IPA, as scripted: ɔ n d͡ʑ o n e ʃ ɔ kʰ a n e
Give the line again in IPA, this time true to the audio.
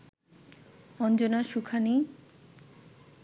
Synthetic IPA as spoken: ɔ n d͡ʑ o n a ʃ u kʰ a n i

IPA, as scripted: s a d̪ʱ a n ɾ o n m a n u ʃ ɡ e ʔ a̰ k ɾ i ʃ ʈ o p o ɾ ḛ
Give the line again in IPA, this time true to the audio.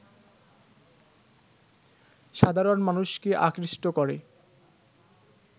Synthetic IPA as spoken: ʃ a d̪ʱ a ɾ o n m a n u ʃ k e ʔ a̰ k ɾ i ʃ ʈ o k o ɾ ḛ

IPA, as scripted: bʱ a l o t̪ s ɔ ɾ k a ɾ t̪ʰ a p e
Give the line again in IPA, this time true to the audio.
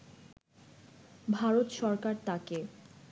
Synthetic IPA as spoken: bʱ a ɾ o t̪ ʃ ɔ ɾ k a ɾ t̪ a k e

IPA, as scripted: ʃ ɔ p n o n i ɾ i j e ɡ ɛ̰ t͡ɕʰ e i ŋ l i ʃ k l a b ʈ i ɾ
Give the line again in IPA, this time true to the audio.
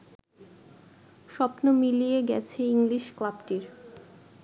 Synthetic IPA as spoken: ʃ ɔ p n o m i l i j e ɡ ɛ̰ t͡ɕʰ e i ŋ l i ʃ k l a b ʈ i ɾ

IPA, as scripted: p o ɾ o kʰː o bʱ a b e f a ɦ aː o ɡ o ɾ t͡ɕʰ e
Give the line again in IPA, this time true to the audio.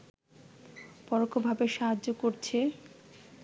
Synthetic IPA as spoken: p ɔ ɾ o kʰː o bʱ a b e ʃ a ɦ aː o k o ɾ t͡ɕʰ e

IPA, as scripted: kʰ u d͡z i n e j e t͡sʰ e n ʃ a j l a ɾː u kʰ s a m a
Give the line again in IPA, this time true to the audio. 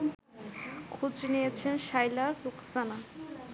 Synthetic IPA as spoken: kʰ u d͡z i n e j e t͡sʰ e n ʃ a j l a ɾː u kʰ s a n a

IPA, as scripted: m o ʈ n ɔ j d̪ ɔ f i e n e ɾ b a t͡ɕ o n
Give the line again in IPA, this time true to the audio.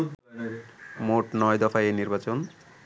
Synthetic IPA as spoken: m o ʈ n ɔ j d̪ ɔ f a e n i ɾ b a t͡ɕ o n

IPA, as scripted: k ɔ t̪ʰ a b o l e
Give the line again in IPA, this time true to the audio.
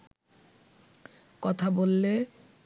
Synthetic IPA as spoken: k ɔ t̪ʰ a b o lː e

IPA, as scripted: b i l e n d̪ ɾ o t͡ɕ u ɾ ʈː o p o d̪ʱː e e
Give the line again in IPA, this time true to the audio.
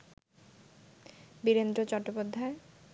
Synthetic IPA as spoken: b i ɾ e n d̪ ɾ o t͡ɕ ɔ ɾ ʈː o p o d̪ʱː a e

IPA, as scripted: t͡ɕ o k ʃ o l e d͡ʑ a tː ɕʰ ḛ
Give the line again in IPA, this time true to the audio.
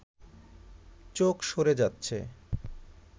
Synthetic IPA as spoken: t͡ɕ o k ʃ o ɾ e d͡ʑ a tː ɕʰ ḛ

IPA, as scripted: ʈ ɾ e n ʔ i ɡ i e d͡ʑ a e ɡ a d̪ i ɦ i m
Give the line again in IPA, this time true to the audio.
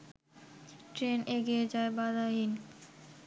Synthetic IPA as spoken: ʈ ɾ e n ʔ e ɡ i e d͡ʑ a e b a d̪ a ɦ i n

